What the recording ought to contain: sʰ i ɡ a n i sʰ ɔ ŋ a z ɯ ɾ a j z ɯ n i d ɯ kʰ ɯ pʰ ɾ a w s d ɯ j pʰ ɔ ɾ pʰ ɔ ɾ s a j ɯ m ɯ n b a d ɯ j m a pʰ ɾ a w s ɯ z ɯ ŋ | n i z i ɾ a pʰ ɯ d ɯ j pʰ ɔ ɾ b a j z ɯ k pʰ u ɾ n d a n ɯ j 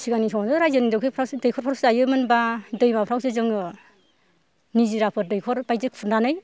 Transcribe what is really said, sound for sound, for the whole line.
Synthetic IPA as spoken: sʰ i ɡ a n i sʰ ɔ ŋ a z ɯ ɾ a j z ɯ n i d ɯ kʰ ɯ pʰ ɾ a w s d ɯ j kʰ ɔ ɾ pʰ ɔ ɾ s a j ɯ m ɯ n b a d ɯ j m a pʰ ɾ a w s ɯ z ɯ ŋ | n i z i ɾ a pʰ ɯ d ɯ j kʰ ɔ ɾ b a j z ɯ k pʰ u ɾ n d a n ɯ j